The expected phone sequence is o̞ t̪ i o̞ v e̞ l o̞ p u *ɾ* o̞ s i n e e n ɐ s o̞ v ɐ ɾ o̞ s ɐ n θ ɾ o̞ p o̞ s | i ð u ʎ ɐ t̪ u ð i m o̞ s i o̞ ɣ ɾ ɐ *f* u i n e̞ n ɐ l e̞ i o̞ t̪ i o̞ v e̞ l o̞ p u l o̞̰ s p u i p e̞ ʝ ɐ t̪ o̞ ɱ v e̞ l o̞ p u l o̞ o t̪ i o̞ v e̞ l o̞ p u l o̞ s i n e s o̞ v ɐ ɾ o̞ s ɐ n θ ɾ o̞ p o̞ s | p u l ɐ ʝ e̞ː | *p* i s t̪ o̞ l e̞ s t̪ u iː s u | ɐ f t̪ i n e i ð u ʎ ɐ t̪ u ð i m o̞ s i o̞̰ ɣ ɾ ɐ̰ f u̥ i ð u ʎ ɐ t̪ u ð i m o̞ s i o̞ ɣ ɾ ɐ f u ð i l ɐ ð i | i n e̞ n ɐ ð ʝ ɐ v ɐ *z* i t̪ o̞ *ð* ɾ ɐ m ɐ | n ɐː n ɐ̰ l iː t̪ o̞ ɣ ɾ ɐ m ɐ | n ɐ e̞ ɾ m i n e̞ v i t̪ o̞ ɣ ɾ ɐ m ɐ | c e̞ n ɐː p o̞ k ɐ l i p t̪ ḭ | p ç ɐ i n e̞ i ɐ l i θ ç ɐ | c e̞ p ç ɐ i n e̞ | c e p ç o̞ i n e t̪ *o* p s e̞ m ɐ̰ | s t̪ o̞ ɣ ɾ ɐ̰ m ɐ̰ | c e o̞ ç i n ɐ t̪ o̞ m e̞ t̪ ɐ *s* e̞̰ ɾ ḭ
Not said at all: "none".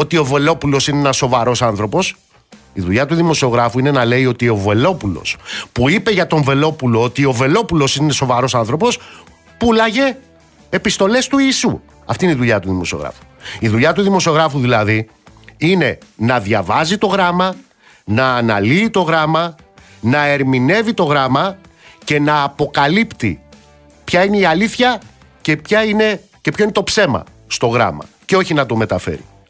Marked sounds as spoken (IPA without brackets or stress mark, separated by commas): l, f, p, z, ɣ, o, f